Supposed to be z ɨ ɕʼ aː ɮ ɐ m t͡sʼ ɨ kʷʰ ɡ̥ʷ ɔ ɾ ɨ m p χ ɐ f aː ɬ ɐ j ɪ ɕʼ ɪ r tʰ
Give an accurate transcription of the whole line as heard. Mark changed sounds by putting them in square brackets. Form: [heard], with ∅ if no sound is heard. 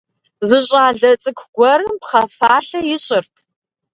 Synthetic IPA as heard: z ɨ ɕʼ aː ɮ ɐ [∅] t͡sʼ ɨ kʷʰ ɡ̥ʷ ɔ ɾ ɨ m p χ ɐ f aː ɬ ɐ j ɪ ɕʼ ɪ r tʰ